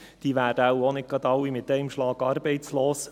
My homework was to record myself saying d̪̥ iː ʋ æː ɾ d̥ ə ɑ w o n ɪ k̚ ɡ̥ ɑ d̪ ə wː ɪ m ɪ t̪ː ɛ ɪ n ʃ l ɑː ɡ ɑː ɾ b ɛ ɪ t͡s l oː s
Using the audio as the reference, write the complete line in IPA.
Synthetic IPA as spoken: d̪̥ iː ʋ æː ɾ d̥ ə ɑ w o n ɪ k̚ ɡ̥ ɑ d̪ ɑ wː i m ɪ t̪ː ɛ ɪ m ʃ l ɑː ɡ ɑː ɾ b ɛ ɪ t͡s l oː s